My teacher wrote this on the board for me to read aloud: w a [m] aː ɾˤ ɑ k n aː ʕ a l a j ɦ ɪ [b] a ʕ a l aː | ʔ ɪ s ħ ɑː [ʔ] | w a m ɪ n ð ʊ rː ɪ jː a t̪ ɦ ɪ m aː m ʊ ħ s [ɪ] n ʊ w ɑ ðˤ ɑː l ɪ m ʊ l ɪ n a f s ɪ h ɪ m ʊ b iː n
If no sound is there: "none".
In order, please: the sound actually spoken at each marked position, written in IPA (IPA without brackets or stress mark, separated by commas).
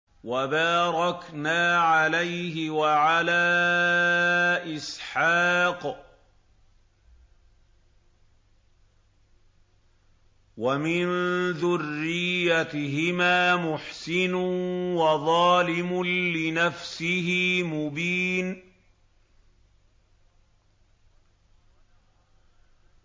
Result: b, w, q, ɪ